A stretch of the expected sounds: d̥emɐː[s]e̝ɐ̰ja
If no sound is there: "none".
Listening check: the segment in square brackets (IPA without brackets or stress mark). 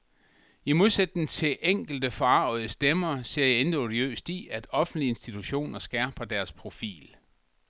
s